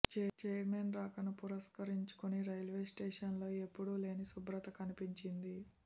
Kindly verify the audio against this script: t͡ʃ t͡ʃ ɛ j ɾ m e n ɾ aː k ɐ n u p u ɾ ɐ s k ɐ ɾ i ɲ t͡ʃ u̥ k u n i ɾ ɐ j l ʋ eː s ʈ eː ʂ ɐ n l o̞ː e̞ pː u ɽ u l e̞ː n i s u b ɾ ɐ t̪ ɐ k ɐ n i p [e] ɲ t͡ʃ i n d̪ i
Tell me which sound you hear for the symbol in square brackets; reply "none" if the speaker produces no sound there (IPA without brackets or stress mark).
i